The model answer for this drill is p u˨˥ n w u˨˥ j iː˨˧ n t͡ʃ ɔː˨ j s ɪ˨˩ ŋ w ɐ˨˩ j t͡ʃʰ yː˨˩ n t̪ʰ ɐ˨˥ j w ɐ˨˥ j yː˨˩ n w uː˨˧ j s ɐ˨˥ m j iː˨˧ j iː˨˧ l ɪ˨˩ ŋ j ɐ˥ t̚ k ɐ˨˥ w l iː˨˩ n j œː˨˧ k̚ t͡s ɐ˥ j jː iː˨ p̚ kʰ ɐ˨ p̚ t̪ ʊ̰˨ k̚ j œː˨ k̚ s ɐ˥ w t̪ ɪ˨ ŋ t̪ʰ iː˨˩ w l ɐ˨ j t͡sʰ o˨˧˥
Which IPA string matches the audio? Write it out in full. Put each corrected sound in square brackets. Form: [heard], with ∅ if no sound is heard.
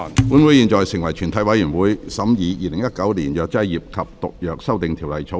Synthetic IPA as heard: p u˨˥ n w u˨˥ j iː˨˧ n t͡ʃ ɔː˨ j s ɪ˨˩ ŋ w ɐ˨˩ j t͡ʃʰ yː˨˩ n t̪ʰ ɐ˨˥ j w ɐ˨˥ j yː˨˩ n w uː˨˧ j s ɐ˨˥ m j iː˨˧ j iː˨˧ l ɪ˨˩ ŋ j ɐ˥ t̚ k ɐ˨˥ w l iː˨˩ n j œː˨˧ k̚ t͡s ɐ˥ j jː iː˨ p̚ kʰ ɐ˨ p̚ t̪ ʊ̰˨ k̚ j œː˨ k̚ s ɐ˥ w t̪ ɪ˨ ŋ t̪ʰ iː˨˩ w l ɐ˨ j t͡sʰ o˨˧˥